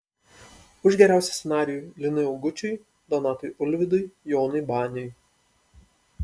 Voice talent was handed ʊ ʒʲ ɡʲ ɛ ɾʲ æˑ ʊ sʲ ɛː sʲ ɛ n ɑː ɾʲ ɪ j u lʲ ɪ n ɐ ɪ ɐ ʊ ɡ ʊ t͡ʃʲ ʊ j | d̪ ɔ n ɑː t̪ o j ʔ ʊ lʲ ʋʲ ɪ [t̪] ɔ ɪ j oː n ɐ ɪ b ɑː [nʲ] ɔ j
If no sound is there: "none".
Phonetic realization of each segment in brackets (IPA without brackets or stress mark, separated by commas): d̪, nʲ